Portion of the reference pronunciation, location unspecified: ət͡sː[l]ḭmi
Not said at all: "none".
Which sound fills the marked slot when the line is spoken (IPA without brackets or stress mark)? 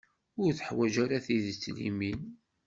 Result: l